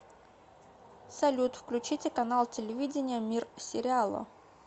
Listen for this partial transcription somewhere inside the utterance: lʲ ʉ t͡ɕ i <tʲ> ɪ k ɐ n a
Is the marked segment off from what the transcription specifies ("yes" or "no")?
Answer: no